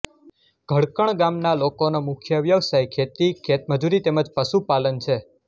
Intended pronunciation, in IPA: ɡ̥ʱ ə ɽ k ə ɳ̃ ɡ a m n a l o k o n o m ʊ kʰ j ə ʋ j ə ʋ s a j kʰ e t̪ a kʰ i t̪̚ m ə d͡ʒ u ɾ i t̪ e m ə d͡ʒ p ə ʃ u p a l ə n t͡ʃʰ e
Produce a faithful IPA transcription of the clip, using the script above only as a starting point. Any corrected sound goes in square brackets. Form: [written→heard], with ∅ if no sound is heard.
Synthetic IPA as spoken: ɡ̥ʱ ə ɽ k ə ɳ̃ ɡ a m n a l o k o n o m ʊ kʰ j ə ʋ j ə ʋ s a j kʰ e t̪ [a→i] kʰ [i→e] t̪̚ m ə d͡ʒ u ɾ i t̪ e m ə d͡ʒ p ə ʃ u p a l ə n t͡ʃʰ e